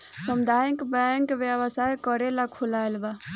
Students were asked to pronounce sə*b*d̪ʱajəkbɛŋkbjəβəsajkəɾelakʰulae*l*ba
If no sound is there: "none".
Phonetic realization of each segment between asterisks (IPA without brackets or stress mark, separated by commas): m, l